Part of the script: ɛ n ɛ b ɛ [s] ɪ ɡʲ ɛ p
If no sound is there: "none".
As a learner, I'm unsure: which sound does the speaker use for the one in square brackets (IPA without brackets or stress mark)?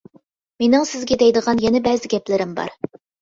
z